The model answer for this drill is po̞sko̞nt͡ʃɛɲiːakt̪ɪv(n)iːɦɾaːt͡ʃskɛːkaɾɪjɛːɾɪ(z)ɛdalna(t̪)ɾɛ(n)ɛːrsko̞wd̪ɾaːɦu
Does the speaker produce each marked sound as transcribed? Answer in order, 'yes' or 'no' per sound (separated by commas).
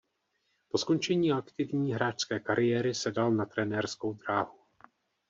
no, no, yes, yes